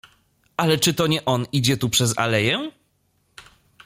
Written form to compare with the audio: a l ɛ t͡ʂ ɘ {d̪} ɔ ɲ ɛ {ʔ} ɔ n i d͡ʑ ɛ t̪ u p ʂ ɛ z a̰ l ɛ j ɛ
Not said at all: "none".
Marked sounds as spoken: t̪, ʔ

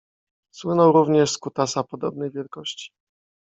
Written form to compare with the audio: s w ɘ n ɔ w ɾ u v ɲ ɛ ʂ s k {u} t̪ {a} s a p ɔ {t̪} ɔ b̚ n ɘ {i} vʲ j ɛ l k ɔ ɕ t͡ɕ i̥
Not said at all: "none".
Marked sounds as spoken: u, a, d̪, j

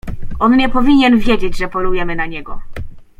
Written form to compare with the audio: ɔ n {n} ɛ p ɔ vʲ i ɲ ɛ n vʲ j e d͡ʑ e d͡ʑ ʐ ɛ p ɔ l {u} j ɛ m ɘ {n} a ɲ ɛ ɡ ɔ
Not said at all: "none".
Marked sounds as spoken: ɲ, u, n

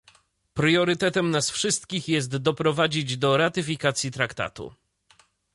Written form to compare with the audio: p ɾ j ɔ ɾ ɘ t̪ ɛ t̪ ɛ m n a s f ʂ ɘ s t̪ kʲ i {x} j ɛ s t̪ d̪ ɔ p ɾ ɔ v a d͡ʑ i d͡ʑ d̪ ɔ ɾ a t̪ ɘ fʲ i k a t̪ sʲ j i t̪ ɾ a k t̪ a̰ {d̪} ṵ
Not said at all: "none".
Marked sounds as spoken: x, t̪

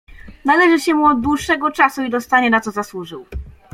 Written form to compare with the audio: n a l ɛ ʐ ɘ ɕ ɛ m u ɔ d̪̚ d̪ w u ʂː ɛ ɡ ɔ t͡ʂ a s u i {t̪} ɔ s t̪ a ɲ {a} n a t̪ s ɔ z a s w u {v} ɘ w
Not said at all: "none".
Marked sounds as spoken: d̪, ɛ, ʐ

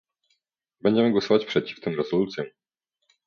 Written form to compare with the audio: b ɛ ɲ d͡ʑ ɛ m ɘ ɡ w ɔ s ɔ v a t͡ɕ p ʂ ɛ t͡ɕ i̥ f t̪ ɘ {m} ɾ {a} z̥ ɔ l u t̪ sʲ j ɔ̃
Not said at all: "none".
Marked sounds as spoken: m, ɛ

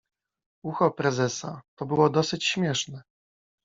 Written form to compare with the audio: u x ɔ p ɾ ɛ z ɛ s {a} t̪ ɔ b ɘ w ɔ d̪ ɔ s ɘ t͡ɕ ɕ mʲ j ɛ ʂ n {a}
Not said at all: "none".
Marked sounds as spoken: a, ɛ

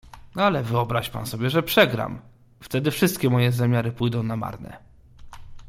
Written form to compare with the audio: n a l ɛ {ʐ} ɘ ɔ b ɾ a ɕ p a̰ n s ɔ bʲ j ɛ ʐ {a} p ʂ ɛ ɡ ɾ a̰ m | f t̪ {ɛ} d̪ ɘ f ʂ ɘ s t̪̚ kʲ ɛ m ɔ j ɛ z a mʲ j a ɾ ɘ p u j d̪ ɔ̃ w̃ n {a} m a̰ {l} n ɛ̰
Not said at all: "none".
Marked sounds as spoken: v, ɛ, ɛ, a, ɾ

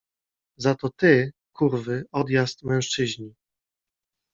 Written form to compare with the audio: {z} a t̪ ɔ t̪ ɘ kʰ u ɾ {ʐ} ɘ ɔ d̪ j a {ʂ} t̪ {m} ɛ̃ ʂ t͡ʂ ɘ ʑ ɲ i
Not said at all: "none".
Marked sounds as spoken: z, v, s, m

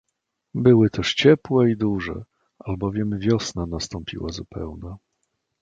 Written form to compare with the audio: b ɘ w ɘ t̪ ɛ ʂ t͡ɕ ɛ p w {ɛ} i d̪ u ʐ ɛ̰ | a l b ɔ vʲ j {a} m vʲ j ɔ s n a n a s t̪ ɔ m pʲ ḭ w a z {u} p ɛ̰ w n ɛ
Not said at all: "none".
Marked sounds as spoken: ɛ, ɛ, u

